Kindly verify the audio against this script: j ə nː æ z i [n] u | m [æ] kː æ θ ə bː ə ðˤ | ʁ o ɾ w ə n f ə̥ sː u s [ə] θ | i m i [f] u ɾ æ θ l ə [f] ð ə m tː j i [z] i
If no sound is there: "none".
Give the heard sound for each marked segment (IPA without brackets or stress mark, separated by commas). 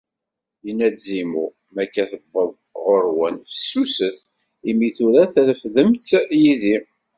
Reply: m, æ, ə, θ, f, ð